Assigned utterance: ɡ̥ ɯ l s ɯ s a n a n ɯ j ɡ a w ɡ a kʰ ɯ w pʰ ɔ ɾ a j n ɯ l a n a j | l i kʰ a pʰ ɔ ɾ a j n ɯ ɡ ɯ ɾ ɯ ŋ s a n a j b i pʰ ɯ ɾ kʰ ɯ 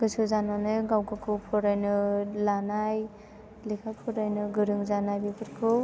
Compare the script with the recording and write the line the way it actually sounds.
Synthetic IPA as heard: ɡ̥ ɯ s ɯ z a n a n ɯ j ɡ a w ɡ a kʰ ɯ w pʰ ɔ ɾ a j n ɯ l a n a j | l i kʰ a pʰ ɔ ɾ a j n ɯ ɡ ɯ ɾ ɯ ŋ z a n a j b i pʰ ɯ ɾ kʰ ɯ